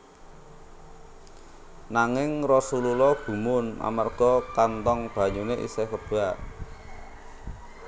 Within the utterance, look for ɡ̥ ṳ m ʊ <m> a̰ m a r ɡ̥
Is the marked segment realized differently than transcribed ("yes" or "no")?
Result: yes